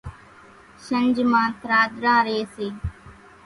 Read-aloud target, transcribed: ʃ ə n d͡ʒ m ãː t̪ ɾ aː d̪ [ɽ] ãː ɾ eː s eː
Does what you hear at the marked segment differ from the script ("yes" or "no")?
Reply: yes